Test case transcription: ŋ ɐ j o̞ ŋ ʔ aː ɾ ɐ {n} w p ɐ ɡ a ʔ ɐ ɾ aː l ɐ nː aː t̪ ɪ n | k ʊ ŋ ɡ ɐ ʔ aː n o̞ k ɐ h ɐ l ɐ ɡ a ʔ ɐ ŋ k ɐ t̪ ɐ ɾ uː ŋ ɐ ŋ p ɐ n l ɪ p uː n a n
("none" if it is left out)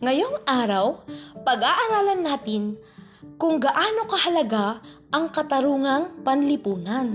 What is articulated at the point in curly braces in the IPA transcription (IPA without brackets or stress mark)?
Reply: none